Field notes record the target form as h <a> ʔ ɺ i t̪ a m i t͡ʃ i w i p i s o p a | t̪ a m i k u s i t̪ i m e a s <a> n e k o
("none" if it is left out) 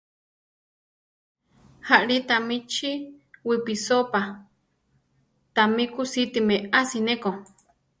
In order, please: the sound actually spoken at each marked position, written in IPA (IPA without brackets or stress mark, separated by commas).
a, i